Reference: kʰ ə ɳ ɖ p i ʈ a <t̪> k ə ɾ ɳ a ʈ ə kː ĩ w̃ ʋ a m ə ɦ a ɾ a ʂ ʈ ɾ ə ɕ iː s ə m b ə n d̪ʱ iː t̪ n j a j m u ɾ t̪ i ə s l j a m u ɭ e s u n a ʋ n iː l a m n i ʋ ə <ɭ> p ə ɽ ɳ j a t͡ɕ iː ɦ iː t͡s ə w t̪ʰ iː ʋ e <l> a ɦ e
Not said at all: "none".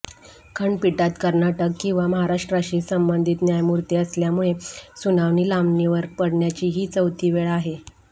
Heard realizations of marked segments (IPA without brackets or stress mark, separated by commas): t̪, ɾ, ɭ